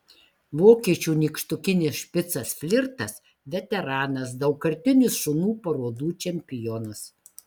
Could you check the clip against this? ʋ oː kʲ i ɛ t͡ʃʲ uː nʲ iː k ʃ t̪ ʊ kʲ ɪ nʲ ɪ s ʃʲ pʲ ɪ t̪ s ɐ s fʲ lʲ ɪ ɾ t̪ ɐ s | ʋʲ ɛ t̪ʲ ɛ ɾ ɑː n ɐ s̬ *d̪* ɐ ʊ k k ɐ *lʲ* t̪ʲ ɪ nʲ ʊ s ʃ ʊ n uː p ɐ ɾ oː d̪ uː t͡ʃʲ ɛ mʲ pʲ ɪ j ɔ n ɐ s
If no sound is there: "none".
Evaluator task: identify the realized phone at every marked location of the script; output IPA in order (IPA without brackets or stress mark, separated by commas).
d̪, ɾʲ